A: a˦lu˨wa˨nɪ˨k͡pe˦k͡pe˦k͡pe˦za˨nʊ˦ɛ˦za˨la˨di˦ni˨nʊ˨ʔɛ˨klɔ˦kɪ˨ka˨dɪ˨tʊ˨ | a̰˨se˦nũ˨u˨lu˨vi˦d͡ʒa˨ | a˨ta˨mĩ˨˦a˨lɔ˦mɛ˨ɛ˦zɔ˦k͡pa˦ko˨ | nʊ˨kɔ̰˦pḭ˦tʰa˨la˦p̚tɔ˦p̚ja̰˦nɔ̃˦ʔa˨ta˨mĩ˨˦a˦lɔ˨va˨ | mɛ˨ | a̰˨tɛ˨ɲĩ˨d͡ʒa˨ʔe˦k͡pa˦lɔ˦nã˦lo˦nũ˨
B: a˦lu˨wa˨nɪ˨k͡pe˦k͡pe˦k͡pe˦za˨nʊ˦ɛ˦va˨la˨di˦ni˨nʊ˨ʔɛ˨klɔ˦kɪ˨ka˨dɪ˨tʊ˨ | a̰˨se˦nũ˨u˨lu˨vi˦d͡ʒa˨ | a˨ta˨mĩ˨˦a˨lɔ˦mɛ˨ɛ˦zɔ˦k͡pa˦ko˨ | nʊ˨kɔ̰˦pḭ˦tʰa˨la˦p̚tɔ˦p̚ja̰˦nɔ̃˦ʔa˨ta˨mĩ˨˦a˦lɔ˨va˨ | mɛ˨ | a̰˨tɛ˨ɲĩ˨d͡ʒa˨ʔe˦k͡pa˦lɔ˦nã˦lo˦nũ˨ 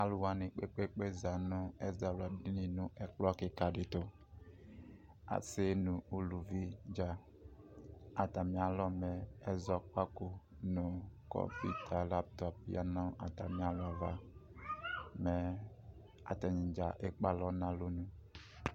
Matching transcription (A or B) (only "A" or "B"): A